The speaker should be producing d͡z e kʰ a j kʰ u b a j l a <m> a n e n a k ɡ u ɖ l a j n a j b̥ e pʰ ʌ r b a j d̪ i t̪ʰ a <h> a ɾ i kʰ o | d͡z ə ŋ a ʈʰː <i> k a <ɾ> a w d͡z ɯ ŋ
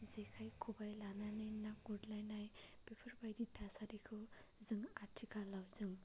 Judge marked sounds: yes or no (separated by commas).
no, no, yes, no